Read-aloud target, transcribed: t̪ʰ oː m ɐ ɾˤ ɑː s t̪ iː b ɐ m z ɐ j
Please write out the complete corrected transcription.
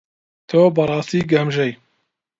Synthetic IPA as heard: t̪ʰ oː b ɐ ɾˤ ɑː s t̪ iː ɡ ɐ m ʒ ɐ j

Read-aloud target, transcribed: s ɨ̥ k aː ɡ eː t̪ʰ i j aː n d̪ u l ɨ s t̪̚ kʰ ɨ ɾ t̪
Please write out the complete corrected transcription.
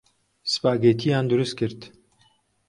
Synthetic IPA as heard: s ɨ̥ p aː ɡ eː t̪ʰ i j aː n d̪ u ɾ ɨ s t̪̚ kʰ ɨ ɾ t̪

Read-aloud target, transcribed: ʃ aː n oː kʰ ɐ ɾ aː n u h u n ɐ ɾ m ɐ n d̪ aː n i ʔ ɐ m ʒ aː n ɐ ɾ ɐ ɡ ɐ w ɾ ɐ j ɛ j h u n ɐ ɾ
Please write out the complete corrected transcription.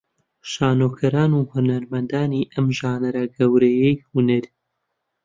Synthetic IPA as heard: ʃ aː n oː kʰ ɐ ɾ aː n u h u n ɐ ɾ m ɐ n d̪ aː n i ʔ ɐ m ʒ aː n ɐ ɾ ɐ ɡ ɐ w ɾ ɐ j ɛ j h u n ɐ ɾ

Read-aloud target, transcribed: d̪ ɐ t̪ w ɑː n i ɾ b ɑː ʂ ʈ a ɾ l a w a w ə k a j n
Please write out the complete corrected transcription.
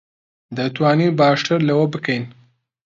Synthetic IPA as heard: d̪ ə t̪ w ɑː n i b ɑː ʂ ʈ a ɾ l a w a b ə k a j n

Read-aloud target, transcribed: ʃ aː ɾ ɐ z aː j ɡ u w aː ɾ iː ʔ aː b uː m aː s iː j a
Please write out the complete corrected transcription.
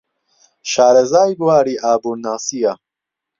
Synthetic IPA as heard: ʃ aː ɾ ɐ z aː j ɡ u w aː ɾ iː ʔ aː b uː n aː s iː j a

